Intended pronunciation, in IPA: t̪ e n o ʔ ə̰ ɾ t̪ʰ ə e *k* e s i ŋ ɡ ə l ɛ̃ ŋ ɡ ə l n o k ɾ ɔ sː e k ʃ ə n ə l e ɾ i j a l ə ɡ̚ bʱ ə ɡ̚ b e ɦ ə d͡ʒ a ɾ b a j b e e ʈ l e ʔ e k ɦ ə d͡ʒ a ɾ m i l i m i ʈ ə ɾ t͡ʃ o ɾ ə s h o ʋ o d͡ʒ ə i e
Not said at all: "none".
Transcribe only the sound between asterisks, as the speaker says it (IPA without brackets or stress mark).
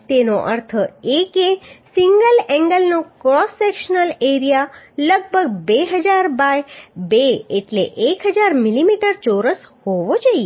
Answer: k